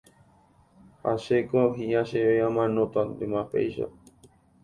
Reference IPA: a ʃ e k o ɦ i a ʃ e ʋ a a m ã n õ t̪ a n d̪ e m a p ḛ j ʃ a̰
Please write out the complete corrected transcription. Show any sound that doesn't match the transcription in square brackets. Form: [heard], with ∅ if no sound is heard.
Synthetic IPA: a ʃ e k o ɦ i a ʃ e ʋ [e] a m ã n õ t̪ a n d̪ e m a p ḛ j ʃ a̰

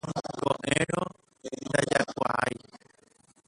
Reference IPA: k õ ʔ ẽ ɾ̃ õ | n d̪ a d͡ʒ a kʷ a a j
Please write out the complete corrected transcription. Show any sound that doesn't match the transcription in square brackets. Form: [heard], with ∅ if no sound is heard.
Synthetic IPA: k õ ʔ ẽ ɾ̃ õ | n d̪ a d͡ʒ a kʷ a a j

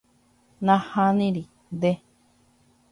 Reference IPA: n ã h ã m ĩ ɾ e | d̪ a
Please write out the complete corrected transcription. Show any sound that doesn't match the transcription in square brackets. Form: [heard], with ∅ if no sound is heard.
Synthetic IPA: n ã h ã [n] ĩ ɾ [i] | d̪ [e]

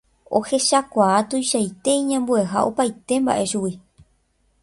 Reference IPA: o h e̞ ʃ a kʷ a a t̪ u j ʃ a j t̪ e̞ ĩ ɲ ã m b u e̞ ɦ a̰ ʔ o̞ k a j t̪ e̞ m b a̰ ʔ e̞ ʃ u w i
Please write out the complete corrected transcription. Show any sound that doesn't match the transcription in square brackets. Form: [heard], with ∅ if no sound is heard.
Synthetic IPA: o h e̞ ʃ a kʷ a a t̪ u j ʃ a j t̪ e̞ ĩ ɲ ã m b u e̞ ɦ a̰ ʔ o̞ [p] a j t̪ e̞ m b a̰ ʔ e̞ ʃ u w i

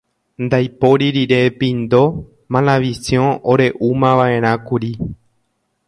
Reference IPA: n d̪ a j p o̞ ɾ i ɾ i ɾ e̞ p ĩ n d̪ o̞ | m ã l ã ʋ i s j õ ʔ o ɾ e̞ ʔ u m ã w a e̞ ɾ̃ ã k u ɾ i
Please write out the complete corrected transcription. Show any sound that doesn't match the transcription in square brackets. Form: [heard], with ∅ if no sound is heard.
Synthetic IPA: n d̪ a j p o̞ ɾ i ɾ i ɾ e̞ p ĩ n d̪ o̞ | m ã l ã ʋ i s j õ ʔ o ɾ e̞ ʔ u m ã [ʋ] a e̞ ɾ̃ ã k u ɾ i

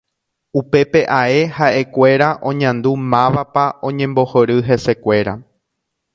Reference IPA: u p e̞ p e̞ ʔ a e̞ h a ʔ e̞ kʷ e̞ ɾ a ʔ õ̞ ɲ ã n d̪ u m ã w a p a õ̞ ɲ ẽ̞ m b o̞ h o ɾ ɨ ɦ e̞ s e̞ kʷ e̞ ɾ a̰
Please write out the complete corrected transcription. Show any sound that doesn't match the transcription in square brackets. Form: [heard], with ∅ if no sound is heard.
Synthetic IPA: u p e̞ p e̞ ʔ a e̞ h a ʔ e̞ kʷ e̞ ɾ a ʔ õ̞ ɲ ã n d̪ u m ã [ʋ] a p a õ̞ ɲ ẽ̞ m b o̞ h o ɾ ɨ ɦ e̞ s e̞ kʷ e̞ ɾ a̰

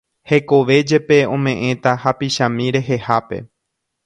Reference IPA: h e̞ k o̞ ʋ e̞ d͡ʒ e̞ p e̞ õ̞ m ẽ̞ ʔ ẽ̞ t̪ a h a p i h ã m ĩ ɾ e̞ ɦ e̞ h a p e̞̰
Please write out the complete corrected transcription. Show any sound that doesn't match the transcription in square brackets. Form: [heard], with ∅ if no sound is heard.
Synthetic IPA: h e̞ k o̞ ʋ e̞ d͡ʒ e̞ p e̞ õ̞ m ẽ̞ ʔ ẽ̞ t̪ a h a p i [ʃ] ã m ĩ ɾ e̞ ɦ e̞ h a p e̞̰

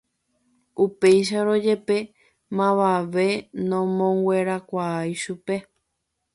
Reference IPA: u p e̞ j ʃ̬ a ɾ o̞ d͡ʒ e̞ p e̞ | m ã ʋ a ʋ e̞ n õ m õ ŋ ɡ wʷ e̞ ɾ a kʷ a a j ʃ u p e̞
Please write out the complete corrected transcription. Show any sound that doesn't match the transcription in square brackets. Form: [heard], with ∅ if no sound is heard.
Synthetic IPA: u p e̞ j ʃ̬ a ɾ o̞ d͡ʒ e̞ p e̞ | m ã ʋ a ʋ e̞ n õ m õ ŋ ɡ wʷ e̞ ɾ a kʷ a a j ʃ u p e̞

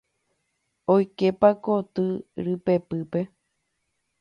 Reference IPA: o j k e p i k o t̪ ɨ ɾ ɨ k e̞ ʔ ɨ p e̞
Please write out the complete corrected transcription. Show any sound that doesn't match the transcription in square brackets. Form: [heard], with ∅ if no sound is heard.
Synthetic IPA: o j k e p [a] k o t̪ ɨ ɾ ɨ [p] e̞ [p] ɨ p e̞

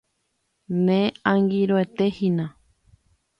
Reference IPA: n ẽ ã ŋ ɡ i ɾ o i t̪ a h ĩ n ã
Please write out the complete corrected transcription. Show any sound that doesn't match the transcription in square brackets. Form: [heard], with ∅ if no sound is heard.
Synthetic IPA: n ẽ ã ŋ ɡ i ɾ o [e] t̪ [e] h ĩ n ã

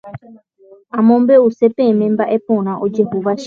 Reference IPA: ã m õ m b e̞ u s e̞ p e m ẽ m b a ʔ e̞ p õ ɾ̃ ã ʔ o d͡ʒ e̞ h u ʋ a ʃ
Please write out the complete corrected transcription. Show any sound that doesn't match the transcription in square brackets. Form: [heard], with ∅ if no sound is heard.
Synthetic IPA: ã m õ m b e̞ u s e̞ p e m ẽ m b a ʔ e̞ p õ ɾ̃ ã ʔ o d͡ʒ e̞ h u ʋ a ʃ

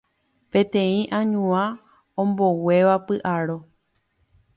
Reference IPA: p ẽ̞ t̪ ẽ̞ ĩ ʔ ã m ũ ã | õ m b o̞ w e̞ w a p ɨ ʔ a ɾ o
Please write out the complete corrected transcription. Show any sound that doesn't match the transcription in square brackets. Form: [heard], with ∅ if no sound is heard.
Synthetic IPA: p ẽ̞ t̪ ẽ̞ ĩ ʔ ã [ɲ] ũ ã | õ m b o̞ w e̞ [ʋ] a p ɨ ʔ a ɾ o

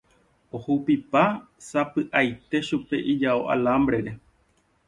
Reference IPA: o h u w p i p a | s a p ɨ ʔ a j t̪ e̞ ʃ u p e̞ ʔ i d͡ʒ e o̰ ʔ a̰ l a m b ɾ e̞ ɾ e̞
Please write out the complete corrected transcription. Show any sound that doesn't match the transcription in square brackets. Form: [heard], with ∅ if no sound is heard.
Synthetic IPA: o h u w p i p a | s a p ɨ ʔ a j t̪ e̞ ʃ u p e̞ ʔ i d͡ʒ [a] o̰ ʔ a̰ l a m b ɾ e̞ ɾ e̞

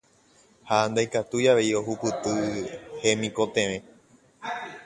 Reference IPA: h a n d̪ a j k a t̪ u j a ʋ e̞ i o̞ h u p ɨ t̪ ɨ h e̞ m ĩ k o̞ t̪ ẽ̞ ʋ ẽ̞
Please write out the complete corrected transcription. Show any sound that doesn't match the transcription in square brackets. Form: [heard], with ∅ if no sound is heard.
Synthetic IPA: h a n d̪ a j k a t̪ u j a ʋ e̞ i o̞ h u p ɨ t̪ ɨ h e̞ m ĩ k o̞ t̪ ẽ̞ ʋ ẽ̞

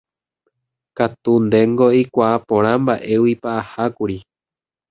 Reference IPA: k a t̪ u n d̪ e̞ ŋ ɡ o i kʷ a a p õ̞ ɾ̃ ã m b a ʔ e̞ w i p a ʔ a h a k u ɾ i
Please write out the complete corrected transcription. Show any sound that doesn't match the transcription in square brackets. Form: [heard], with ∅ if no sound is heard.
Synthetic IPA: k a t̪ u n d̪ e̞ ŋ ɡ o i kʷ a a p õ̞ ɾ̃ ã m b a ʔ e̞ w i p a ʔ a h a k u ɾ i

